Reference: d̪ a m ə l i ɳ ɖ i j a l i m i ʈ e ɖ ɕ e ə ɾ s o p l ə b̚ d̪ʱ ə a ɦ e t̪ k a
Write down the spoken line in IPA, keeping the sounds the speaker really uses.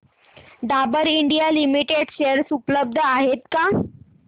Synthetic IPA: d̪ a b ə ɾ i ɳ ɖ i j a l i m i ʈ e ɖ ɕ e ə ɾ s u p l ə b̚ d̪ʱ ə a ɦ e t̪ k a